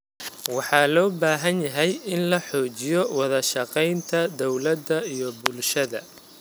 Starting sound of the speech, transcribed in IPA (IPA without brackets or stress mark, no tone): w